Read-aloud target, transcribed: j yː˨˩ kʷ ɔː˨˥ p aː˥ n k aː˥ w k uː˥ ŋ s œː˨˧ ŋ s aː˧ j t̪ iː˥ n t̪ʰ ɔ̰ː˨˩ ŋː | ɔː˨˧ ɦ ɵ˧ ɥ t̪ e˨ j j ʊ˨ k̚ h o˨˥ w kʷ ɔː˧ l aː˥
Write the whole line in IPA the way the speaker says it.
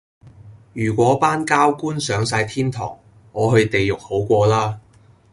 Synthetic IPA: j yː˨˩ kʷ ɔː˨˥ p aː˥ n k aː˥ w k uː˥ n s œː˨˧ ŋ s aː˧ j t̪ʰ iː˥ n t̪ʰ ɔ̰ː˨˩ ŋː | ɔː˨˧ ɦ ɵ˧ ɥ t̪ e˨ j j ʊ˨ k̚ h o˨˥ w kʷ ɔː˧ l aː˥